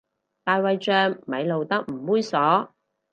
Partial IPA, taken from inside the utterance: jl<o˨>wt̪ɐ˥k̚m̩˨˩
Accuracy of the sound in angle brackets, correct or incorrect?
correct